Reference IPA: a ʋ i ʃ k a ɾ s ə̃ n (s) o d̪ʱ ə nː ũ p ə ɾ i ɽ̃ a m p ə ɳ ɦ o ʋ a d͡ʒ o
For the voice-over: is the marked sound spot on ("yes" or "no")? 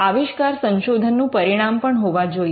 no